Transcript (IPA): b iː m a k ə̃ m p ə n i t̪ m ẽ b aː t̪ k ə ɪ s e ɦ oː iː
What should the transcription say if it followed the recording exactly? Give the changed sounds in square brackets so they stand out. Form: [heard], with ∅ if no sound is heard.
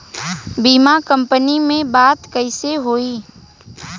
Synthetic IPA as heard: b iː m a k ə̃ m p ə n i [∅] m ẽ b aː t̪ k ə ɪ s e ɦ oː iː